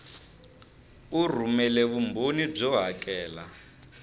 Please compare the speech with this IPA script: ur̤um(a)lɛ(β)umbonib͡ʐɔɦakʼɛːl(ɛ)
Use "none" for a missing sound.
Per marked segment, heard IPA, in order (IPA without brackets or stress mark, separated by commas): ɛ, β, a